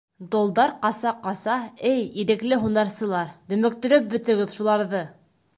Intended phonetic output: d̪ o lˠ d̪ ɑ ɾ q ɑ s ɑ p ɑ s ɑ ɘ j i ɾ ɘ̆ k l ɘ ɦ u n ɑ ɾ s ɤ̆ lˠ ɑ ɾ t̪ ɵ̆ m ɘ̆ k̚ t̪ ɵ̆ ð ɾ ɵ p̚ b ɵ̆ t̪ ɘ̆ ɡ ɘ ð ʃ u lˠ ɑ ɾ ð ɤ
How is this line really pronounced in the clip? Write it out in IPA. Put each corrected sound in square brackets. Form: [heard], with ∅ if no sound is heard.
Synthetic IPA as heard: d̪ o lˠ d̪ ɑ ɾ q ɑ s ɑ [q] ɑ s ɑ ɘ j i ɾ ɘ̆ k l ɘ ɦ u n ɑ ɾ s ɤ̆ lˠ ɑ ɾ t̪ ɵ̆ m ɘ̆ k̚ t̪ ɵ̆ [∅] ɾ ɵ p̚ b ɵ̆ t̪ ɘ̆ ɡ ɘ ð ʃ u lˠ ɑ ɾ ð ɤ